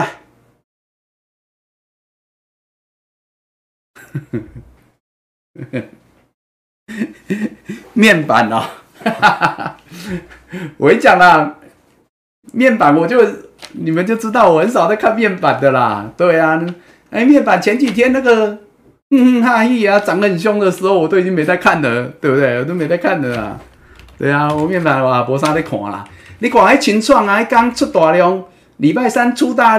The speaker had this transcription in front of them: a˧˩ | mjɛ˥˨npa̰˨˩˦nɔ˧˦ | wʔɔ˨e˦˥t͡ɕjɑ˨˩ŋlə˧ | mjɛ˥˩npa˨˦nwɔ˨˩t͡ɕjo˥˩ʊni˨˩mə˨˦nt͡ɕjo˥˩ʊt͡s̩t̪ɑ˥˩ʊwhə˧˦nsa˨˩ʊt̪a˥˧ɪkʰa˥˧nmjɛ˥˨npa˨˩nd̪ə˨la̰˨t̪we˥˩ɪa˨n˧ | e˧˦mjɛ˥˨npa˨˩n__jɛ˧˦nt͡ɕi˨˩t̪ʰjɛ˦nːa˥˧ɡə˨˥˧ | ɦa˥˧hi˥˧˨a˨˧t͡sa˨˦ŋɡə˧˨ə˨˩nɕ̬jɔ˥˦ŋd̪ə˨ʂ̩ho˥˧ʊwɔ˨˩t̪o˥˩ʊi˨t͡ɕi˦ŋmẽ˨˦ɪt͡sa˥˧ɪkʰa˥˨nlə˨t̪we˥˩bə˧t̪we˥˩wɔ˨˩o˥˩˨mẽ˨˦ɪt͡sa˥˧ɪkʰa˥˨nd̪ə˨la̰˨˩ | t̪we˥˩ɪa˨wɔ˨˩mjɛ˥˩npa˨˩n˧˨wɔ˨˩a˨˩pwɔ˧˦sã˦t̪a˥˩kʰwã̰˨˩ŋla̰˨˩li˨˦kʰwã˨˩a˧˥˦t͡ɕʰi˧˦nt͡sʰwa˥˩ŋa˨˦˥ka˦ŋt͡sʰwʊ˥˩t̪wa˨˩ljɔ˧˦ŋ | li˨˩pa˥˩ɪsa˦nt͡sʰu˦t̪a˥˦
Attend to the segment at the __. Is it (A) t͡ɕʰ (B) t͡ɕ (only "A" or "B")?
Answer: A